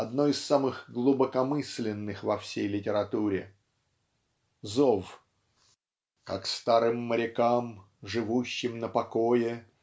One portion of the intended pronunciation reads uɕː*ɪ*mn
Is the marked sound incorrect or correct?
correct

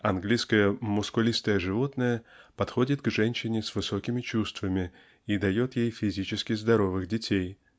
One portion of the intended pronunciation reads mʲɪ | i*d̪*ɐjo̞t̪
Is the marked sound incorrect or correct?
correct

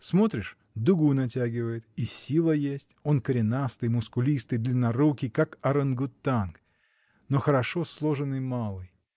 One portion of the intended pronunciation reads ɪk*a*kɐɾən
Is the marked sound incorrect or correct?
correct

